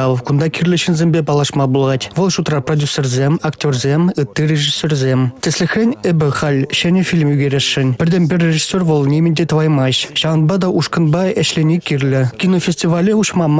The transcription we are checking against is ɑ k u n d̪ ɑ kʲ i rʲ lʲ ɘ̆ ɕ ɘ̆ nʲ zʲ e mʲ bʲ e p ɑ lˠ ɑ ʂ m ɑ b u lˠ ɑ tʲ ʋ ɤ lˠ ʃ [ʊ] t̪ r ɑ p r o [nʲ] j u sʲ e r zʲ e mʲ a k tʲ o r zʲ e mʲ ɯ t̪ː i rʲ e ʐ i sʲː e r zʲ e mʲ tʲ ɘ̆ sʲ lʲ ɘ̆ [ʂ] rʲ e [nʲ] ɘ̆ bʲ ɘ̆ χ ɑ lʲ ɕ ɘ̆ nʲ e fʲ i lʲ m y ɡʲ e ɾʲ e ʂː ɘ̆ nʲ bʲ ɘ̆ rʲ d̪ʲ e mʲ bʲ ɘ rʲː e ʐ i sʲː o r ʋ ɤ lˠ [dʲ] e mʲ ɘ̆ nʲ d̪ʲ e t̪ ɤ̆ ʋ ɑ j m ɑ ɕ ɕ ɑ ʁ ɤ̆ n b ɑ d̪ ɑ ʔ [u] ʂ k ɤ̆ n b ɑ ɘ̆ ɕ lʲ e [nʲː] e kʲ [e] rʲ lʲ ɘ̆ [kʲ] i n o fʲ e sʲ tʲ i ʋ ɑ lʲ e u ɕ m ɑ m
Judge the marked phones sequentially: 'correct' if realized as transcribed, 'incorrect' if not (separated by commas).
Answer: incorrect, incorrect, incorrect, correct, incorrect, correct, incorrect, incorrect, correct